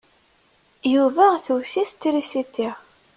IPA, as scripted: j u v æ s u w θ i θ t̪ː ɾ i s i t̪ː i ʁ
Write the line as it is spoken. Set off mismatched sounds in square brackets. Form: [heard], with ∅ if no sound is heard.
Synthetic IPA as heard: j u v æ [θ] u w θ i θ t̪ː ɾ i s i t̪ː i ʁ

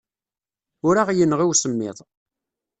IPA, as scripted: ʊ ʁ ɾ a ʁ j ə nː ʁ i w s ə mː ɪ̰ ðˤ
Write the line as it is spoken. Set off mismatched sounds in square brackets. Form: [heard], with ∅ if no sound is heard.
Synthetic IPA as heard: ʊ [∅] ɾ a ʁ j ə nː ʁ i w s ə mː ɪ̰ ðˤ

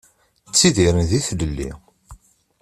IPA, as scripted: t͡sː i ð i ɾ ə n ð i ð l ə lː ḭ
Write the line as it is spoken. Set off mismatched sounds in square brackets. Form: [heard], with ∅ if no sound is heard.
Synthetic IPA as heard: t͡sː i ð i ɾ ə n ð i [θ] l ə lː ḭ

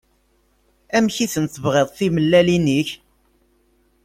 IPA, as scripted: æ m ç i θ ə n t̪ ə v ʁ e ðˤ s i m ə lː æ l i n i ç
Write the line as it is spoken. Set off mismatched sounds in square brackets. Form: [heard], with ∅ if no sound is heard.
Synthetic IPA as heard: æ m ç i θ ə n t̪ ə v ʁ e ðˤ [θ] i m ə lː æ l i n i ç

